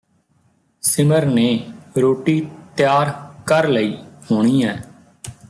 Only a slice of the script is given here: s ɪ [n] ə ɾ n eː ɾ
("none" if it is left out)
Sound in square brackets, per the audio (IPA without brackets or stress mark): m